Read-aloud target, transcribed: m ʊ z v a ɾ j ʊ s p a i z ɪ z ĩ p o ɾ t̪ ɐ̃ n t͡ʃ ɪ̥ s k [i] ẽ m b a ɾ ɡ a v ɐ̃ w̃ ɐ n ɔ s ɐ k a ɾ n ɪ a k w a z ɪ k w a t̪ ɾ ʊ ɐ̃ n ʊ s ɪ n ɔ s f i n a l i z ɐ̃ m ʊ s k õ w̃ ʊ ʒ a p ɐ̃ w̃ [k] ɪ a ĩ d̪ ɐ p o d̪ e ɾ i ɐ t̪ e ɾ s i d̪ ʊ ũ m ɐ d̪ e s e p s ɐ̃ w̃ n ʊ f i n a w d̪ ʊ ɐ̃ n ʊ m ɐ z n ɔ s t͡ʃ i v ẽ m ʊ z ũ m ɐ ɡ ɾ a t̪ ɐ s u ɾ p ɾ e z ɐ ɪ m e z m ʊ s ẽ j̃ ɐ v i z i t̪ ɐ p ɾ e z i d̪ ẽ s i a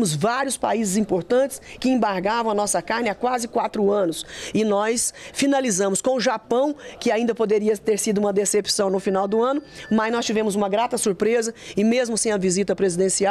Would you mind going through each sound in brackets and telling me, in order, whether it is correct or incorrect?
incorrect, correct

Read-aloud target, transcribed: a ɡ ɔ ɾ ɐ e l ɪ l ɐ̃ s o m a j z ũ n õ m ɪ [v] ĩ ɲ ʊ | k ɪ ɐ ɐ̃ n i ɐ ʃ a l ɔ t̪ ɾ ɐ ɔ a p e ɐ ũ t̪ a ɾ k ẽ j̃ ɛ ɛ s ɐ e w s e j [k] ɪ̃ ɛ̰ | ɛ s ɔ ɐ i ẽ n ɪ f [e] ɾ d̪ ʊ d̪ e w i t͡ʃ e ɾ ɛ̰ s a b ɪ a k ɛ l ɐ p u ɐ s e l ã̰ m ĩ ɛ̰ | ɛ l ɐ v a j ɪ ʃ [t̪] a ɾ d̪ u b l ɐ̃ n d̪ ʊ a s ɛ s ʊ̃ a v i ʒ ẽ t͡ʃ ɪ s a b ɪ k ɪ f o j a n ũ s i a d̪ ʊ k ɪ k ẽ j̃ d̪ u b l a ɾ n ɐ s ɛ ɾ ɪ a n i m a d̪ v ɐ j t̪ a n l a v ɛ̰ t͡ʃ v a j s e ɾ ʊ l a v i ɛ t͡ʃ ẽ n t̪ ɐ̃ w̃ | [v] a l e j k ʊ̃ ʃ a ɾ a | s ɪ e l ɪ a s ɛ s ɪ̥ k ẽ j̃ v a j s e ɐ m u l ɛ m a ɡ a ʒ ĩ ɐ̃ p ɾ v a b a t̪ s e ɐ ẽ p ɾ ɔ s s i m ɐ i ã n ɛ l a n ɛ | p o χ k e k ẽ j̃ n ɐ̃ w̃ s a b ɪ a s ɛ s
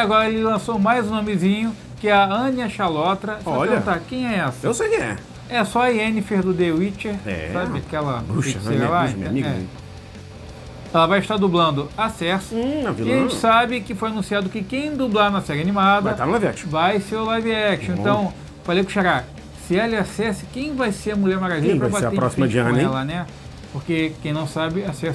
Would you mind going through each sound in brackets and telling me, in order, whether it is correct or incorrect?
incorrect, correct, correct, correct, incorrect

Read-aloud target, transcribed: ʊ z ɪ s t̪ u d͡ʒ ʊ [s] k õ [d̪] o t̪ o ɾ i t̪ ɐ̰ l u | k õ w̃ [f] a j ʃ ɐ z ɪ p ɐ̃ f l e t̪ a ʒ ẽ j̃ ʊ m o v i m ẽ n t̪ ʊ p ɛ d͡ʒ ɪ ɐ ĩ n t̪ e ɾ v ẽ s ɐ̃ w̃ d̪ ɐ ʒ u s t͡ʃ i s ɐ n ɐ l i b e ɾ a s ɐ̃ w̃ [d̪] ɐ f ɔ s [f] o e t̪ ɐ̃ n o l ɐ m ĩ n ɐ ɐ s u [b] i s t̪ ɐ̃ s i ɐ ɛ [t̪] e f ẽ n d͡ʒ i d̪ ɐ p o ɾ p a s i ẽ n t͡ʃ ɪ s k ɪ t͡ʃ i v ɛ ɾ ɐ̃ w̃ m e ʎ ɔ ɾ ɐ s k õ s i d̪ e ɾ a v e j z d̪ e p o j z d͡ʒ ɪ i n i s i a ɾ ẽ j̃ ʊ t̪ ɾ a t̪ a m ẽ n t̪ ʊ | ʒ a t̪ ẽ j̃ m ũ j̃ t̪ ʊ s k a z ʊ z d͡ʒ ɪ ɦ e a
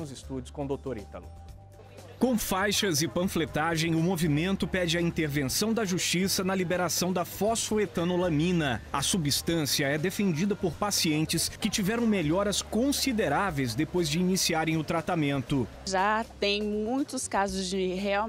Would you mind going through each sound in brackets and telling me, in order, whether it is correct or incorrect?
correct, correct, correct, correct, correct, correct, incorrect

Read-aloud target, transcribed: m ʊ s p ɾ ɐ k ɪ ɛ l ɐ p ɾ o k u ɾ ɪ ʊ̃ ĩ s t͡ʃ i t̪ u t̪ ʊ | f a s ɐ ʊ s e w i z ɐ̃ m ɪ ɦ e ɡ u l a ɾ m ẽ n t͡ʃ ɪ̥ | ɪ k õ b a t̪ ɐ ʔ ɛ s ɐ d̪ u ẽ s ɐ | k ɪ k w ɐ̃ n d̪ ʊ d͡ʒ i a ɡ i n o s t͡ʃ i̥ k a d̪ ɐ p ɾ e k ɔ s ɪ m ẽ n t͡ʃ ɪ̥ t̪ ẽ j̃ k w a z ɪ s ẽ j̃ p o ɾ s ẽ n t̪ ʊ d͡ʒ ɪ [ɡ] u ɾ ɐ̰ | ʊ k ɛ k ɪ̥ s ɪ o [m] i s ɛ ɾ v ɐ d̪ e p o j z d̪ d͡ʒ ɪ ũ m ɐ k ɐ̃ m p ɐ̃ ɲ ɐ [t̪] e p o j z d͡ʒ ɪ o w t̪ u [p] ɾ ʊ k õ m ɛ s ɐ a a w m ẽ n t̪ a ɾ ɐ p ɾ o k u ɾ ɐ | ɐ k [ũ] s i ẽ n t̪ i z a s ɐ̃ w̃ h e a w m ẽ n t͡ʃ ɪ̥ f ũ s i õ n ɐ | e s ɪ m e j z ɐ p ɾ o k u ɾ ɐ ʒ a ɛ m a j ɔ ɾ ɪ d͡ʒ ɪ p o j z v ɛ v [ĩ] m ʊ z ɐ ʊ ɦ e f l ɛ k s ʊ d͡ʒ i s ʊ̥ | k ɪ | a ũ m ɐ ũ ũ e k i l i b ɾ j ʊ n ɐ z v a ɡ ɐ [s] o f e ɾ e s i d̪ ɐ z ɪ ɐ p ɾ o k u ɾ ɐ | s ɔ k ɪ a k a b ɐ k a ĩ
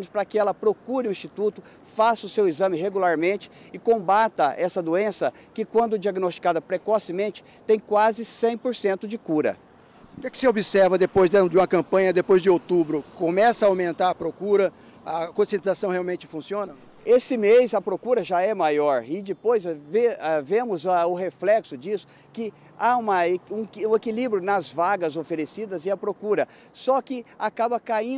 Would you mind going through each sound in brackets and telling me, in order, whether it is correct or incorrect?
incorrect, incorrect, incorrect, incorrect, incorrect, incorrect, incorrect

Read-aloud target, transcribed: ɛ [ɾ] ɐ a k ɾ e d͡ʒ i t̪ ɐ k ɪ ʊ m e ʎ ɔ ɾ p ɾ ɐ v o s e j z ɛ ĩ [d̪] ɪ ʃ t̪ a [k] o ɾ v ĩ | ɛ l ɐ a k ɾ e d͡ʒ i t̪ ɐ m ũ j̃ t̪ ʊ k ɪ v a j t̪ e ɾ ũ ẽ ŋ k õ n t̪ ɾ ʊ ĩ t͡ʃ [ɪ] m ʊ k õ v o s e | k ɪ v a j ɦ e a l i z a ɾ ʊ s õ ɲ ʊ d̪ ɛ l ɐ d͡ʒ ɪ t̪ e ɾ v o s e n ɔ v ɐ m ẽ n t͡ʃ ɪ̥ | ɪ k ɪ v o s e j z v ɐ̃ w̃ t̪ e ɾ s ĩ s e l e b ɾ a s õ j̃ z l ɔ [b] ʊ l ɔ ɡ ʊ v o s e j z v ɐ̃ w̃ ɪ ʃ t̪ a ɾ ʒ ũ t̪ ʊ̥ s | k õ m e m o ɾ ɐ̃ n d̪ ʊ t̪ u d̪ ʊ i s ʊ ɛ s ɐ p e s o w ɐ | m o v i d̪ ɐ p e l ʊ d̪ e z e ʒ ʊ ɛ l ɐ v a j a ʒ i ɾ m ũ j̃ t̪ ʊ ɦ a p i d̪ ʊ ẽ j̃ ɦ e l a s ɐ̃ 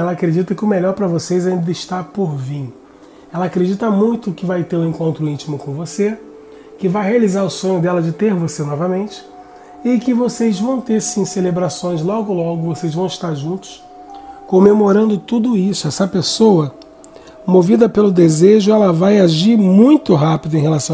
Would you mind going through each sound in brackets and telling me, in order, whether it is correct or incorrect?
incorrect, correct, incorrect, incorrect, incorrect

